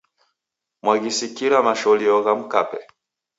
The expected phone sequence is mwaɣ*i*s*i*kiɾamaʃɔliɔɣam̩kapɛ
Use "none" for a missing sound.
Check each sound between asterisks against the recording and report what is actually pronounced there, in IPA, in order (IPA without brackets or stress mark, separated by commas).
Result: i, i